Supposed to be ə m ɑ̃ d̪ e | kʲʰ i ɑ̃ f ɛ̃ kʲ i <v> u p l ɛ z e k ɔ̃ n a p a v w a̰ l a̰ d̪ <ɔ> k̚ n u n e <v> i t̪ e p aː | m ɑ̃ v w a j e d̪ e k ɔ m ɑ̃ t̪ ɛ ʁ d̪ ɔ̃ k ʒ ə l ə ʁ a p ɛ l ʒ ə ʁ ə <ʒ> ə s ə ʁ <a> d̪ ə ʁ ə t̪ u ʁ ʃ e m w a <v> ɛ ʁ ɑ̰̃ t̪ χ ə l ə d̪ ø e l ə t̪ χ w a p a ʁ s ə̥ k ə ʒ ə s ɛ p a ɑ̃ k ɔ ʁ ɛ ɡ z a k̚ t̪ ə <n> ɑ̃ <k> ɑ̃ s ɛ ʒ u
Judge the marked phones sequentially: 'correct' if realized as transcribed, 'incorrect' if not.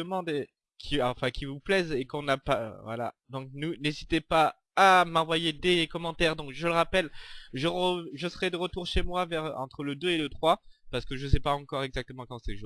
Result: correct, incorrect, incorrect, correct, incorrect, correct, incorrect, correct

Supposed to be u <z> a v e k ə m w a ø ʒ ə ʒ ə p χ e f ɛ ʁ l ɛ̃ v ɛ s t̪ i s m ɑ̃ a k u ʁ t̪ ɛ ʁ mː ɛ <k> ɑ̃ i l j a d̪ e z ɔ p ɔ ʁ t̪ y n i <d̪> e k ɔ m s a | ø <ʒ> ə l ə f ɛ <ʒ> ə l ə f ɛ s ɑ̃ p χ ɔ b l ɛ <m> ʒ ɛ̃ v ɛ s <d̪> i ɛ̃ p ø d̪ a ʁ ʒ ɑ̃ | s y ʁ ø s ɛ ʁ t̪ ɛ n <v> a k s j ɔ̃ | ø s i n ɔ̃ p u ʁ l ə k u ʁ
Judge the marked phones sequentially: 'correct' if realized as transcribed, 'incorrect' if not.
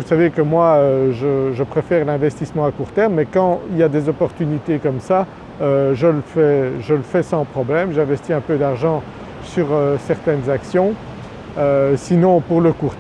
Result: incorrect, correct, incorrect, correct, correct, correct, incorrect, incorrect

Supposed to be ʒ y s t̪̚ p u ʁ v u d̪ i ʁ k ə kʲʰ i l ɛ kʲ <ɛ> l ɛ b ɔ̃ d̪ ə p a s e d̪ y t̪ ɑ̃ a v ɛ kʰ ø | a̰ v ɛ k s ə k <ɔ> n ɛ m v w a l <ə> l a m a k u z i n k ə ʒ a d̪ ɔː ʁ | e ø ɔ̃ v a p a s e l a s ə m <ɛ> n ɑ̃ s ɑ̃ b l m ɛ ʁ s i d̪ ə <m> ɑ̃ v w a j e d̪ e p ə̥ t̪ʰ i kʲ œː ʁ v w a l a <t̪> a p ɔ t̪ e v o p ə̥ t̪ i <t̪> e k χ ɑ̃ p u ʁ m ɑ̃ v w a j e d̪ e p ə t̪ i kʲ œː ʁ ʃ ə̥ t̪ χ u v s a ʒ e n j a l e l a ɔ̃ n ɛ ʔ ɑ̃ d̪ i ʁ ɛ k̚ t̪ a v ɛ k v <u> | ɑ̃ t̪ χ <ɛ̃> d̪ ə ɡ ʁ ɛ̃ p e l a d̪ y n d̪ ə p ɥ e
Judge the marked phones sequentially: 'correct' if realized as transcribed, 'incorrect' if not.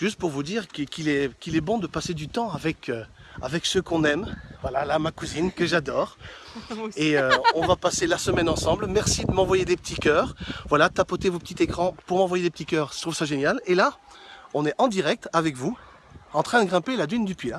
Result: incorrect, incorrect, incorrect, correct, correct, correct, correct, correct, correct

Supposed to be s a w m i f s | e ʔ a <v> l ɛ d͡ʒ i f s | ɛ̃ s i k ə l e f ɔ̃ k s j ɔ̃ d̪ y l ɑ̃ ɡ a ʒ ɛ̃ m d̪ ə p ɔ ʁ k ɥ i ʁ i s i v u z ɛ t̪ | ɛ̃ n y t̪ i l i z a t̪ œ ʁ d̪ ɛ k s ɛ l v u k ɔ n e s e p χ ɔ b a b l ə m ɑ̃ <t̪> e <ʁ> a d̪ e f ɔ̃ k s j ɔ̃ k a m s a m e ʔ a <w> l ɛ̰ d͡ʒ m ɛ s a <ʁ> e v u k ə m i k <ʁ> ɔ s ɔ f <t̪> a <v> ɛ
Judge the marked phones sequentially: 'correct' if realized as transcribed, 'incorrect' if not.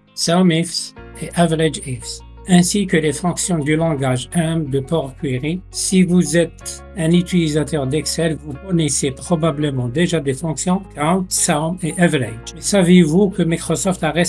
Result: correct, incorrect, incorrect, incorrect, incorrect, incorrect, correct, incorrect

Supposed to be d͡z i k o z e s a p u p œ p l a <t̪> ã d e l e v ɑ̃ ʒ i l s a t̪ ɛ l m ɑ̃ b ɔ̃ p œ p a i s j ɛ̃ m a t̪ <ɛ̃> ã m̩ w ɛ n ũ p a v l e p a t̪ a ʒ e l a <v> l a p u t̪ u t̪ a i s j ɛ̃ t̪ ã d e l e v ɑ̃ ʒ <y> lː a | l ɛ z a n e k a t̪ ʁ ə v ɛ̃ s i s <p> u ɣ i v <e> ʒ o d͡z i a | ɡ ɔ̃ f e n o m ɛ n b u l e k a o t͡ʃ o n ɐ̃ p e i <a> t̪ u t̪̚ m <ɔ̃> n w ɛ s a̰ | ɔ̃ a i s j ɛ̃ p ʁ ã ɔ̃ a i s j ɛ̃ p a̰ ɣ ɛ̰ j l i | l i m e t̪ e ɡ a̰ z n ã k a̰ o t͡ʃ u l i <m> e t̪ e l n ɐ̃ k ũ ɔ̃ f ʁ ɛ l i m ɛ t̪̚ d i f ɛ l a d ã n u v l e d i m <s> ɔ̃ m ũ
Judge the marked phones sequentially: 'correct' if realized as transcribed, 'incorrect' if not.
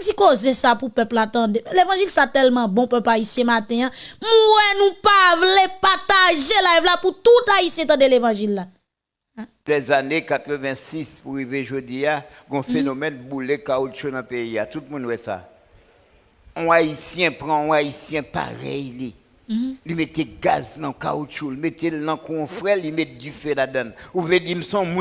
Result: correct, correct, correct, incorrect, correct, correct, correct, incorrect, correct, correct

